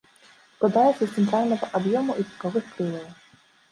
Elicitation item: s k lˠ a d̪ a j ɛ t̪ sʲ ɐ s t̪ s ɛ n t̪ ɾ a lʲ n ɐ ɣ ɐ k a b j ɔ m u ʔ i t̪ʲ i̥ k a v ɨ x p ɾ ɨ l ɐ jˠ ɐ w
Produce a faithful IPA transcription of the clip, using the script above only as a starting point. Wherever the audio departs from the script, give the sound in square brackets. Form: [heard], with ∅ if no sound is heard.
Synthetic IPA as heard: s k lˠ a d̪ a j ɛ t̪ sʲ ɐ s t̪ s ɛ n t̪ ɾ a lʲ n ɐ ɣ ɐ [ʔ] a b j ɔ m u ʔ i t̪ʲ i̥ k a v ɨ x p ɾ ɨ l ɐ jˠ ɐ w